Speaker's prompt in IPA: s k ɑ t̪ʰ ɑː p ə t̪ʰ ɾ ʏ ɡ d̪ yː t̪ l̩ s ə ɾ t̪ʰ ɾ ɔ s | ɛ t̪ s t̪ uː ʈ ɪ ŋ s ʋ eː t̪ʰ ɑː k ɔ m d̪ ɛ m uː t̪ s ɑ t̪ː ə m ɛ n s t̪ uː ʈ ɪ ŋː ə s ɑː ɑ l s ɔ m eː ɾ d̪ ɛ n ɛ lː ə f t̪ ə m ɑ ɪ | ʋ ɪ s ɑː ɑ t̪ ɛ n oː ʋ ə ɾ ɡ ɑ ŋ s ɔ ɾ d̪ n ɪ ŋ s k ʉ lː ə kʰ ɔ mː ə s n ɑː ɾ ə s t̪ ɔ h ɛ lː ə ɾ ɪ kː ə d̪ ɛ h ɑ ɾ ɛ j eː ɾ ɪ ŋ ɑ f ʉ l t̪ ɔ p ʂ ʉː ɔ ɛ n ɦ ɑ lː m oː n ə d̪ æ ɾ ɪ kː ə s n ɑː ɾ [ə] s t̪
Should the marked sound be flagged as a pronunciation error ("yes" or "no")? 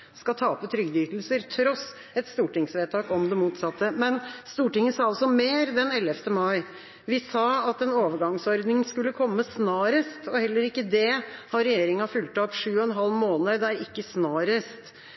no